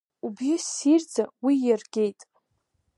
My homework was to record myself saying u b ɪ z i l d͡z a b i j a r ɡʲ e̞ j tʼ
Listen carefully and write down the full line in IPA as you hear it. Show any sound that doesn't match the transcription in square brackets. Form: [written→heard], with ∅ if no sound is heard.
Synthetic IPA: u b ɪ [z→s] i [l→r] d͡z a [b→w] i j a r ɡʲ e̞ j tʼ